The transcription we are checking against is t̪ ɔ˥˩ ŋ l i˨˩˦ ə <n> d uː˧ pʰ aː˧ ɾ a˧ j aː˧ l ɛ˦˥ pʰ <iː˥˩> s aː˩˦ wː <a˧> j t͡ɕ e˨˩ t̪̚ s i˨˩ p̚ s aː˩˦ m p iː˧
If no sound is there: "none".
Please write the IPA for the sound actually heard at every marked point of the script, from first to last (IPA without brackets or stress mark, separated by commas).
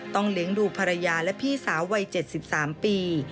ŋ, iː˥˩, a˧